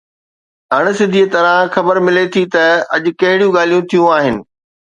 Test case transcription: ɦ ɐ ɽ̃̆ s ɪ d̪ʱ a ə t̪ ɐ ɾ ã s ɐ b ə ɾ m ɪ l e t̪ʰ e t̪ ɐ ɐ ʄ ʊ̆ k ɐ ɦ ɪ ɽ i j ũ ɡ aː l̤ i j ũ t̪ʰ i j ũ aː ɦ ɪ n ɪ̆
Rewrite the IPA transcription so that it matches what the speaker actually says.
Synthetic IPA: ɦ ɐ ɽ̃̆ s ɪ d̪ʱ i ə t̪ ɐ ɾ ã x ɐ b ə ɾ m ɪ l e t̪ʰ i t̪ ɐ ɐ ʄ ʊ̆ k ɐ ɦ ɪ ɽ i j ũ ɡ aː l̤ i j ũ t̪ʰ i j ũ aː ɦ ɪ n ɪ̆